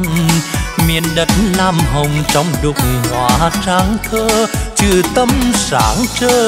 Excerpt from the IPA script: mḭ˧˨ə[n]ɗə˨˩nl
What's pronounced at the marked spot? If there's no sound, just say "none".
n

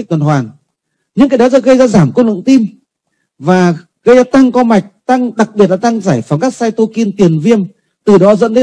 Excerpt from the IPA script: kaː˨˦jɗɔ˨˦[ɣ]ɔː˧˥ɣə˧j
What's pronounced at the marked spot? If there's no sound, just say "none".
z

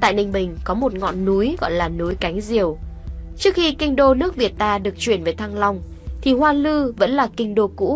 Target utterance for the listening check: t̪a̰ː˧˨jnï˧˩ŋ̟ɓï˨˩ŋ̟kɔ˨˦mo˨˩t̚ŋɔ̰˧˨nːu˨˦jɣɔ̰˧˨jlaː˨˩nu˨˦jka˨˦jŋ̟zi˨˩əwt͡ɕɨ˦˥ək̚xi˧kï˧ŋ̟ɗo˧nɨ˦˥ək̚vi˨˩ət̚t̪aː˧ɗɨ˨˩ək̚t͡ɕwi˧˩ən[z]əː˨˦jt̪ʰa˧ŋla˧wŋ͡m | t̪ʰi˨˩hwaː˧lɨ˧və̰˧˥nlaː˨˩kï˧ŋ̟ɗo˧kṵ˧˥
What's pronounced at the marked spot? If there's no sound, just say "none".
v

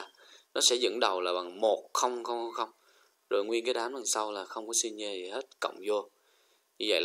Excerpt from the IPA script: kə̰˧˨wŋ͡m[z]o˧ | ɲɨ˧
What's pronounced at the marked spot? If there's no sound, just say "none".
z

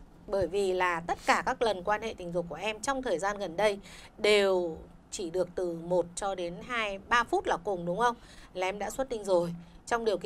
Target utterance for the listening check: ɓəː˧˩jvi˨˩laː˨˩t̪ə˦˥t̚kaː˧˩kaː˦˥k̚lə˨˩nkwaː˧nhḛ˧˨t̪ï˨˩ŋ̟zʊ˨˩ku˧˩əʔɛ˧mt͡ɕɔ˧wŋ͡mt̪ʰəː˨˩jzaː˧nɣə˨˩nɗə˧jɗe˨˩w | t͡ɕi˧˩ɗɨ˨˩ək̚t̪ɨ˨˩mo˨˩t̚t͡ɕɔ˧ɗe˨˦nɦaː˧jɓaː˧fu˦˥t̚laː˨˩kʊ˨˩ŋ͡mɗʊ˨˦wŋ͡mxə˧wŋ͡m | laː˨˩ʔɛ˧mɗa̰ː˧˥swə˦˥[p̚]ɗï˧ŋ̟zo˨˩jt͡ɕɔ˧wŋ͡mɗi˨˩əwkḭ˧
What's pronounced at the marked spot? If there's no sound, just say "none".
t̚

